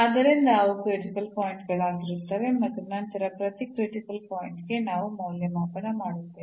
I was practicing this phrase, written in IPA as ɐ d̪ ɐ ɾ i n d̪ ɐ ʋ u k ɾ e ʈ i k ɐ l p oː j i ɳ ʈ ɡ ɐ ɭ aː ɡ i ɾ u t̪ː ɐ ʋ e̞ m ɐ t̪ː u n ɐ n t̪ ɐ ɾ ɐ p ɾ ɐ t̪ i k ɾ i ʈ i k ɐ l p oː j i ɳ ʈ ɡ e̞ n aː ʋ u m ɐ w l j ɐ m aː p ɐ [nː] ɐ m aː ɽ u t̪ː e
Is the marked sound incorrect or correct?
incorrect